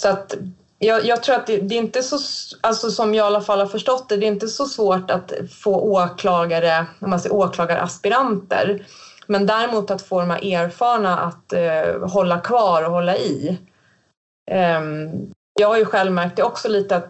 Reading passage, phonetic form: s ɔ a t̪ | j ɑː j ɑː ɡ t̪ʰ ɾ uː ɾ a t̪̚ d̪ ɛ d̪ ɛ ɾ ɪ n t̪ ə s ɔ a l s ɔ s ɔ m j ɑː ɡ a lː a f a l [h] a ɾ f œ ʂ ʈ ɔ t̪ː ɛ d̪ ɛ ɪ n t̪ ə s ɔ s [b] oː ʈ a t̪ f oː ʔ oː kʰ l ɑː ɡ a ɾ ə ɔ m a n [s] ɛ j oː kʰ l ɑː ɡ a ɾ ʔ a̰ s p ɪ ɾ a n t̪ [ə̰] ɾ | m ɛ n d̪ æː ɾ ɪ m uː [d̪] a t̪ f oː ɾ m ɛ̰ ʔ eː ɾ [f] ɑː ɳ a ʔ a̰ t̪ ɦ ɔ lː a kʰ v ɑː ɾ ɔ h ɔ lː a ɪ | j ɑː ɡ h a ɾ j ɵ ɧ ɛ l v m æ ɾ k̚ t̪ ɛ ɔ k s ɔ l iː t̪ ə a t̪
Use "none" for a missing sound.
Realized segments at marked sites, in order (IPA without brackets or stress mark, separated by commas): h, v, s, ə̰, t̪, f